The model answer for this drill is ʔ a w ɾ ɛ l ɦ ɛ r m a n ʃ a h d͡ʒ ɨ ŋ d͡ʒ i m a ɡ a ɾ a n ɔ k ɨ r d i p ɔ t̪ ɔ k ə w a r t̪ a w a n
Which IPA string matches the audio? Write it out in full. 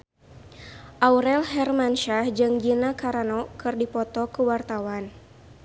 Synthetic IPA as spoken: ʔ a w ɾ ɛ l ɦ ɛ r m a n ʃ a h d͡ʒ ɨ ŋ d͡ʒ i n a k a ɾ a n ɔ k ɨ r d i p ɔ t̪ ɔ k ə w a r t̪ a w a n